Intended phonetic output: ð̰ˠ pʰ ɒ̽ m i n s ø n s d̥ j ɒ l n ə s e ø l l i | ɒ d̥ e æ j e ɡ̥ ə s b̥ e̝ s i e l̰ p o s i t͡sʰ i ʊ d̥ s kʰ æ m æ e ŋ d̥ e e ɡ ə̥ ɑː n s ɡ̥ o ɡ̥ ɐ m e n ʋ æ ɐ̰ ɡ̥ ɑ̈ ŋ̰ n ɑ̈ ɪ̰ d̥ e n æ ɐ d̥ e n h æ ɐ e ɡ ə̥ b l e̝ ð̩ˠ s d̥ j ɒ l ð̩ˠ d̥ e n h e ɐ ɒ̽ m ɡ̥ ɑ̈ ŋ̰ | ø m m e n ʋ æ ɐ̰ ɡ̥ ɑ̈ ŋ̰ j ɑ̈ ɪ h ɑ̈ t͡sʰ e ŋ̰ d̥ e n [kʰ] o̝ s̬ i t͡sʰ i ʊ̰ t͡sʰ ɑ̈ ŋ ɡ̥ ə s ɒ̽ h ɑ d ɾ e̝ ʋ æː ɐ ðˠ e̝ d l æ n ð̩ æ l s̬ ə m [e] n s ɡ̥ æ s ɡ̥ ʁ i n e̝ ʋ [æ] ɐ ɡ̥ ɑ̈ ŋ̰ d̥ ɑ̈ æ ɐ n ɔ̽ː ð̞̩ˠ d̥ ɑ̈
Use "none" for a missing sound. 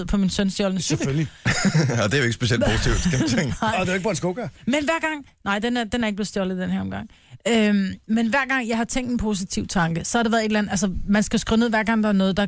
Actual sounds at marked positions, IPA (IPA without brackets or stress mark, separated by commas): pʰ, æ, æ